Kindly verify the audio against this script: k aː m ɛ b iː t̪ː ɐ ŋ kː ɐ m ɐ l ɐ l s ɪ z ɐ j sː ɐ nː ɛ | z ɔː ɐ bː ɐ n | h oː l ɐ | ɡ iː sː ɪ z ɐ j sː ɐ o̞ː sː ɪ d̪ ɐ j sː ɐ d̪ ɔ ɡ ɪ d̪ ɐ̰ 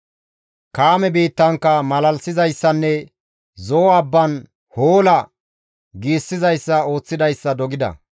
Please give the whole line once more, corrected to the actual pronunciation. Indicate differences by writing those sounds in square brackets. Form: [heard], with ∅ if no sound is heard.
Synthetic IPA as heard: k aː m ɛ b iː t̪ː ɐ ŋ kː ɐ m ɐ l ɐ l s ɪ z ɐ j sː ɐ nː ɛ | z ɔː ɐ bː ɐ n | h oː l ɐ | ɡ iː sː ɪ z ɐ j sː ɐ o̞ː [t͡sː] ɪ d̪ ɐ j sː ɐ d̪ ɔ ɡ ɪ d̪ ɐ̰